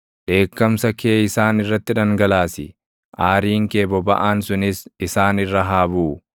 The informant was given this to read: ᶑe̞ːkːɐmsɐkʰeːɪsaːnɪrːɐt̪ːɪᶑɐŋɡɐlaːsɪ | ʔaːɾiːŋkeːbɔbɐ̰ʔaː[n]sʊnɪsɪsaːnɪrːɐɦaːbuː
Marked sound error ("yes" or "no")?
no